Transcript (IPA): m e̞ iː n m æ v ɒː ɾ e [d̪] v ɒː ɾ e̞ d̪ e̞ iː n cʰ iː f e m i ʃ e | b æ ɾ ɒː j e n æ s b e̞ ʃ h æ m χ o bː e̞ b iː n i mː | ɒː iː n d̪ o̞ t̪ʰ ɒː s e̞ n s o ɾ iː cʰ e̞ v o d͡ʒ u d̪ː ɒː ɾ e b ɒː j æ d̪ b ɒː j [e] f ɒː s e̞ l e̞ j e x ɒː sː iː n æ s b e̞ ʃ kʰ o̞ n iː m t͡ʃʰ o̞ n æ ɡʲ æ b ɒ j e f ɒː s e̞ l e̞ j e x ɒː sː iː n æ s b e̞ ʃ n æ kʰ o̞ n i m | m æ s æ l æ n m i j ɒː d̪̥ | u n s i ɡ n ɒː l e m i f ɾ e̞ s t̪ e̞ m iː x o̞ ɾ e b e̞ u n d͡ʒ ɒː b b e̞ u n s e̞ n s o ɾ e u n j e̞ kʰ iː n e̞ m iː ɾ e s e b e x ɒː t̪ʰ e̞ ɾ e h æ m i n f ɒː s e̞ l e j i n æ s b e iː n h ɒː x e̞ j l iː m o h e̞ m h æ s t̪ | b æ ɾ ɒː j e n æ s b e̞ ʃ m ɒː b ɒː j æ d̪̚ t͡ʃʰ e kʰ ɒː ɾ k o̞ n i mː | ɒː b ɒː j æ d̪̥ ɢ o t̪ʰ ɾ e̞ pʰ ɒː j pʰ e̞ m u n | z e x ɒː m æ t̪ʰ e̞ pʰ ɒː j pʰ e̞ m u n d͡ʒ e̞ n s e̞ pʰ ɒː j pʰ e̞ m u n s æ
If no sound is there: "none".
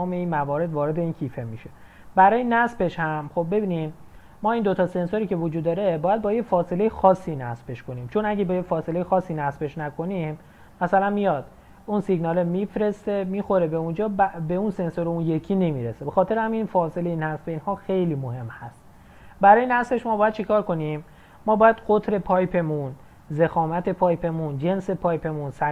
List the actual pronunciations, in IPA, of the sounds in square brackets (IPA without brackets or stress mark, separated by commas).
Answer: d̪, e